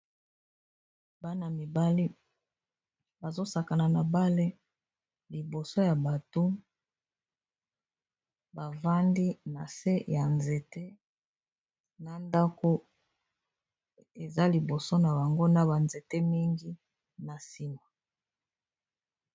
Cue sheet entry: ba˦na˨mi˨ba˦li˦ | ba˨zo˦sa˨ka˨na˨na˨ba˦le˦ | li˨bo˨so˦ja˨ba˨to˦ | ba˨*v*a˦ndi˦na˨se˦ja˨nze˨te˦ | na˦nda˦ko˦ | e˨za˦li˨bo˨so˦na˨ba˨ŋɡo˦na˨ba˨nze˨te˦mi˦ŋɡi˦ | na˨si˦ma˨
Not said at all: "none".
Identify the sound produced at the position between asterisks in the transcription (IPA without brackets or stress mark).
v